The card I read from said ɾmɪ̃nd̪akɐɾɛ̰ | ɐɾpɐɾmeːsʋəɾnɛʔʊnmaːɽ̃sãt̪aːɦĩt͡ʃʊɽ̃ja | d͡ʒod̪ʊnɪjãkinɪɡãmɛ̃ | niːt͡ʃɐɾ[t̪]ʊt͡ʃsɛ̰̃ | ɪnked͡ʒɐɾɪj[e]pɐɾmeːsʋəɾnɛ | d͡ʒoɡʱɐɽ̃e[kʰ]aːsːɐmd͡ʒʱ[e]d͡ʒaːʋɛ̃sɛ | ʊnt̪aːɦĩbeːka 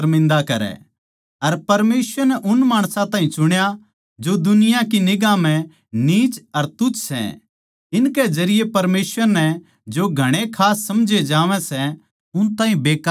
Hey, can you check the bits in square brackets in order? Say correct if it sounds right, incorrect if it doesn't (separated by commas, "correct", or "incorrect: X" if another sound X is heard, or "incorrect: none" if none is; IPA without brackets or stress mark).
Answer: correct, correct, correct, correct